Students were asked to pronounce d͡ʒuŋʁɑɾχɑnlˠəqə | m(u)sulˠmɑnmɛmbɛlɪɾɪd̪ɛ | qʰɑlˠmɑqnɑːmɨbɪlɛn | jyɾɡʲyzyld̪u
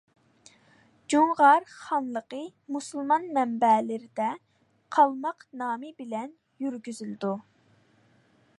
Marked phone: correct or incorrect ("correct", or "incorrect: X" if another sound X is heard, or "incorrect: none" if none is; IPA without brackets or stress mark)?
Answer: correct